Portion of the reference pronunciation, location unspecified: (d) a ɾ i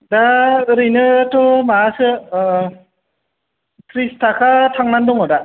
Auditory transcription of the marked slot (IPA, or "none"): d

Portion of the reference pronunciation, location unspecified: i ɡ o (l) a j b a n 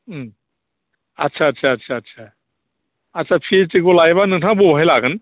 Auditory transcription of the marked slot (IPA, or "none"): l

